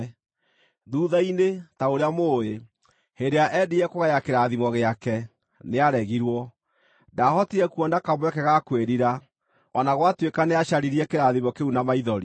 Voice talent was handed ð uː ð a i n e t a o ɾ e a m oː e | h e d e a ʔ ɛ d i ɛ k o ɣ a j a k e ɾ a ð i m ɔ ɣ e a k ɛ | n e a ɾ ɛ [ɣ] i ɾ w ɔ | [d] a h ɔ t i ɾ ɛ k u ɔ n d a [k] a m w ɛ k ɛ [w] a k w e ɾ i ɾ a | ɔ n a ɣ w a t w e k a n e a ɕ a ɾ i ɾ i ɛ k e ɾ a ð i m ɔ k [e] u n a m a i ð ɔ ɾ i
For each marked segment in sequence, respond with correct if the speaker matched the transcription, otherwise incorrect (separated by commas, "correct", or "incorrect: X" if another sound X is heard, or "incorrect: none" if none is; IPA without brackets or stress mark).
correct, correct, correct, incorrect: ɣ, correct